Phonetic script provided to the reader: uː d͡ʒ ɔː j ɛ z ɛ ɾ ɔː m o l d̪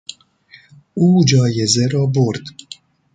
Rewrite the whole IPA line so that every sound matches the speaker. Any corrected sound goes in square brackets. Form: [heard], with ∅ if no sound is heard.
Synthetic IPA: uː d͡ʒ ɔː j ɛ z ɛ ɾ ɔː [b] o [ɾ] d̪